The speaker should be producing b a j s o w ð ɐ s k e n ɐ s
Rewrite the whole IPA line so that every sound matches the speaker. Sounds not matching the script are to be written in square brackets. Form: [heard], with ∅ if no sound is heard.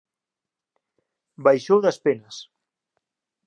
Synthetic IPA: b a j [ʃ] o w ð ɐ s [p] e n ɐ s